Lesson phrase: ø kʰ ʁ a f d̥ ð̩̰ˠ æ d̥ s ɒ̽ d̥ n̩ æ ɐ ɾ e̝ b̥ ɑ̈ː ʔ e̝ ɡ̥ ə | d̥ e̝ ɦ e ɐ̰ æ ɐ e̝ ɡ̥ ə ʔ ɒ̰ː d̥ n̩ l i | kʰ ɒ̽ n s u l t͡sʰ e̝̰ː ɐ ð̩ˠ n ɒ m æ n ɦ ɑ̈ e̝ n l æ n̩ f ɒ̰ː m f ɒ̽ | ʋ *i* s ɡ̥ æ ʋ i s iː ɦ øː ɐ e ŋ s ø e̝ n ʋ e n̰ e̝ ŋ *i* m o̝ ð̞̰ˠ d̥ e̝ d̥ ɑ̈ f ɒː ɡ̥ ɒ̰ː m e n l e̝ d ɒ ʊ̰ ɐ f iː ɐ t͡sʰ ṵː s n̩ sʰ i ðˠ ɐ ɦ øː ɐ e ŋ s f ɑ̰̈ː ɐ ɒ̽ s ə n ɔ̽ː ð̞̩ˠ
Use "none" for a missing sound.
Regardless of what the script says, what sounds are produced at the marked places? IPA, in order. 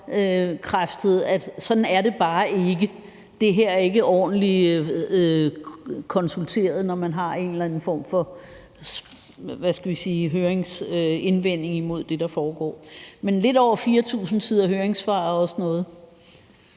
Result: æ, i

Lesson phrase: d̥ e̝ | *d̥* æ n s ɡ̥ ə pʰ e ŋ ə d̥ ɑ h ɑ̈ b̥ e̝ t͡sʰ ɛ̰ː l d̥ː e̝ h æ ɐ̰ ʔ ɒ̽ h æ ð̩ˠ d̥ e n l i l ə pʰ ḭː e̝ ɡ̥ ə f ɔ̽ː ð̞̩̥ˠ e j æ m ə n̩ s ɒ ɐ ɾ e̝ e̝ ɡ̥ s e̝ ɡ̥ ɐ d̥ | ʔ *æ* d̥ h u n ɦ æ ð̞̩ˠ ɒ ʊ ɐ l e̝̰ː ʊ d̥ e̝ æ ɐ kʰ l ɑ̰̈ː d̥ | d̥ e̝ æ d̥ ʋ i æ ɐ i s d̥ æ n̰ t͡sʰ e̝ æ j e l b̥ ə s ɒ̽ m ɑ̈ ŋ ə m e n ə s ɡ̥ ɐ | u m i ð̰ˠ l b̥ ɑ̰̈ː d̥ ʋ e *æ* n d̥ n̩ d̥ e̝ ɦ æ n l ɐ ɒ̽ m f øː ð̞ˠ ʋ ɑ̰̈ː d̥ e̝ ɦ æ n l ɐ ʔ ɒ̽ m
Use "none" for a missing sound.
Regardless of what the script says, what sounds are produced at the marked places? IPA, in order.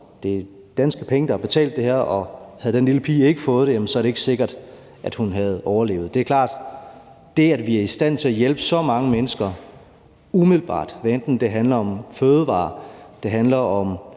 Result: d̥, æ, e

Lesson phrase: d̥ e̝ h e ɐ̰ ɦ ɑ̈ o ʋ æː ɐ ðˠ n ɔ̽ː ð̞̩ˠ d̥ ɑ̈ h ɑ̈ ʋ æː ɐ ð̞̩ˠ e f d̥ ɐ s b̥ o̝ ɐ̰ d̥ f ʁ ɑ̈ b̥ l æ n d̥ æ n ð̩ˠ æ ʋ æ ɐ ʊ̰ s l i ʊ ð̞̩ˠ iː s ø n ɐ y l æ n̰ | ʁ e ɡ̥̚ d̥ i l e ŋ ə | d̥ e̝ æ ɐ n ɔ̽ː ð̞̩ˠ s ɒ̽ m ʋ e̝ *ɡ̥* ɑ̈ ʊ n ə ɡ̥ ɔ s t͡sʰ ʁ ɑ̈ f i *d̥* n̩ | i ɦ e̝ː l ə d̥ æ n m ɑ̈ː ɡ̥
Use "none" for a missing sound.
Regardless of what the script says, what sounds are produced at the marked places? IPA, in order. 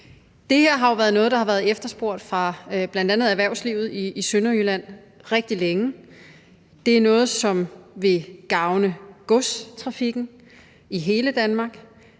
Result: ɡ̥, ɡ̥

